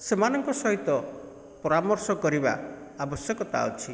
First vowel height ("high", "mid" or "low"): mid